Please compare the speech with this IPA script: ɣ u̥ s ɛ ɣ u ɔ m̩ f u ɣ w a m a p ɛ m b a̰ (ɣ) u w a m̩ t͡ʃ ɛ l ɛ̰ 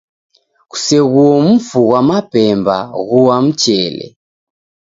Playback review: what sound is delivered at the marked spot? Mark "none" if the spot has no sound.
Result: ɣ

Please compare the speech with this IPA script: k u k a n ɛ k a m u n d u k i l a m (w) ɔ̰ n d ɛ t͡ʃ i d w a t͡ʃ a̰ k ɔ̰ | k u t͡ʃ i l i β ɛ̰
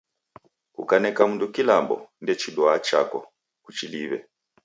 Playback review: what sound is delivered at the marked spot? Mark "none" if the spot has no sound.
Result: b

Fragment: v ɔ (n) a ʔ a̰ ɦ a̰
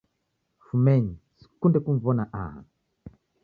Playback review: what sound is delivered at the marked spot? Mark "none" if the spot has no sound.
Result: n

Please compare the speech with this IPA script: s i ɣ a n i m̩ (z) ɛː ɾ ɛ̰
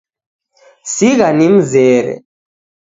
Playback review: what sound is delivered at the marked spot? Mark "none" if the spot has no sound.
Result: z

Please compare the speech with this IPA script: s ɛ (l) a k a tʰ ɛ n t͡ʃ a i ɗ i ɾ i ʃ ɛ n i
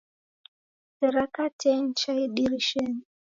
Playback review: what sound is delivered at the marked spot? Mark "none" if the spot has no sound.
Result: ɾ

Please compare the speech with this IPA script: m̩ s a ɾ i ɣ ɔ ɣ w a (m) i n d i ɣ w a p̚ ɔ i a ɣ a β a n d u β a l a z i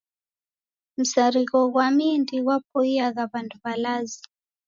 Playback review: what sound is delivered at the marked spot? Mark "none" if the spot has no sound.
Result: m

